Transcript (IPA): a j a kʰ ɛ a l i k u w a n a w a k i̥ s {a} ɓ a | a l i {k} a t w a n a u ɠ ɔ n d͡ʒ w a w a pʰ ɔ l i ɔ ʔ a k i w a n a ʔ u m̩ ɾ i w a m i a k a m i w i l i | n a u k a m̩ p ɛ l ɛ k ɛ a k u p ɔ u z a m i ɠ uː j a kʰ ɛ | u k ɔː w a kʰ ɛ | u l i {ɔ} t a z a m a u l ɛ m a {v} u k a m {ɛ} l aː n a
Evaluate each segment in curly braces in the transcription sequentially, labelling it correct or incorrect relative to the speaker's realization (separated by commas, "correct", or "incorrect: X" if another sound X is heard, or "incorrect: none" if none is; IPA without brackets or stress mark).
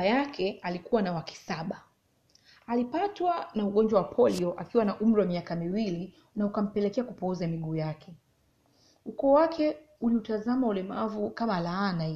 correct, incorrect: p, incorrect: u, correct, incorrect: a